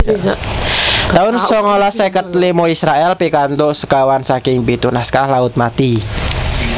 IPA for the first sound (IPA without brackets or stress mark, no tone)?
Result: t̪